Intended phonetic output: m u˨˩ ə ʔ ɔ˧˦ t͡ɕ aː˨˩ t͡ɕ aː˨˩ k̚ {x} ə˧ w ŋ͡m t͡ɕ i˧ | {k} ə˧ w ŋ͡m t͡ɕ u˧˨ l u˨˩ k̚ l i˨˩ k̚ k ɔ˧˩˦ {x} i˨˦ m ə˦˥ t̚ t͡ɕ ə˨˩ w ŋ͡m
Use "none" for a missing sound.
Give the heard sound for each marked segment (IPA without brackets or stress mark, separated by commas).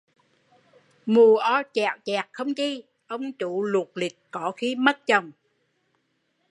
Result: x, ʔ, x